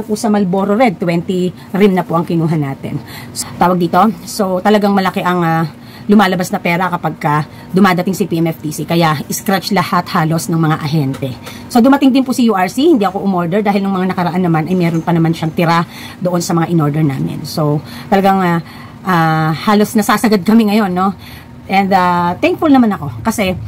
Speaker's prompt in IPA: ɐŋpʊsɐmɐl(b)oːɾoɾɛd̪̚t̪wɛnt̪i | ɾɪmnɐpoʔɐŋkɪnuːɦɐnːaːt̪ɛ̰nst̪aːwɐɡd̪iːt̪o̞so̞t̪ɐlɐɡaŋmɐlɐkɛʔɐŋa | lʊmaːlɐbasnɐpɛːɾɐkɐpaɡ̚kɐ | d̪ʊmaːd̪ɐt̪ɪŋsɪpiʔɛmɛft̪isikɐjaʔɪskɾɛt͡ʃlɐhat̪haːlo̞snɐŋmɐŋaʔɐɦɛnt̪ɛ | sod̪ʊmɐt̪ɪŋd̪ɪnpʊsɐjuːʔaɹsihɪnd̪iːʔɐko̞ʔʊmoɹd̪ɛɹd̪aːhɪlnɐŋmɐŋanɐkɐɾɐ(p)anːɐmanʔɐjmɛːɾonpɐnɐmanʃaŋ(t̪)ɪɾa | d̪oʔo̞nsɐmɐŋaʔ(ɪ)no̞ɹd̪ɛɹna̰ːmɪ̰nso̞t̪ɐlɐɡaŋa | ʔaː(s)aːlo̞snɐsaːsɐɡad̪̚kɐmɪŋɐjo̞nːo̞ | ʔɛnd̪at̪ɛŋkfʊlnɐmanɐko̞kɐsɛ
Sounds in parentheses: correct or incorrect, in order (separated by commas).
correct, incorrect, correct, correct, incorrect